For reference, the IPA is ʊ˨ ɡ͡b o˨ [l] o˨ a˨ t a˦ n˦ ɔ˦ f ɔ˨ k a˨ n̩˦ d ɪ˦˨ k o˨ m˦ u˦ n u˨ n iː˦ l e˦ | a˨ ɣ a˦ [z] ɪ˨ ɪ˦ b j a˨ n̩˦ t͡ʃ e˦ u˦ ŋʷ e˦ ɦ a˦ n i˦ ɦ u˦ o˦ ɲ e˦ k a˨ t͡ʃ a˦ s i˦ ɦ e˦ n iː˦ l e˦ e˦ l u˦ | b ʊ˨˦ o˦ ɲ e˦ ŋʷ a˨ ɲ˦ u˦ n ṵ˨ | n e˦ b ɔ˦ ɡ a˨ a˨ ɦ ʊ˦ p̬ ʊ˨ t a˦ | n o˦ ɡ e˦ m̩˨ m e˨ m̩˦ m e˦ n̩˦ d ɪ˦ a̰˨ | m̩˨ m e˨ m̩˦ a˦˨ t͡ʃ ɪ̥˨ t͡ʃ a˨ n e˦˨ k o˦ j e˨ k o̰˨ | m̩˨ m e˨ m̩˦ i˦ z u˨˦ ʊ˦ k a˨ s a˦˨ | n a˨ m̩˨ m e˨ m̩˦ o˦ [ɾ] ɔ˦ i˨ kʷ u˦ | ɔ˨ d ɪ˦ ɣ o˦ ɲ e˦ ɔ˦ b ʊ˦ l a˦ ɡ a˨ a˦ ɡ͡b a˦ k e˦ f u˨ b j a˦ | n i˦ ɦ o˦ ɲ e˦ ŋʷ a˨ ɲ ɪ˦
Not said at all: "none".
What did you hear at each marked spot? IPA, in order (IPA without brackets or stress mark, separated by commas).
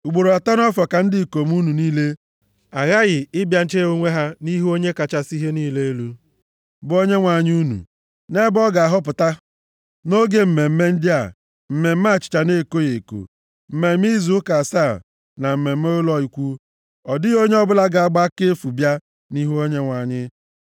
ɾ, ɣ, l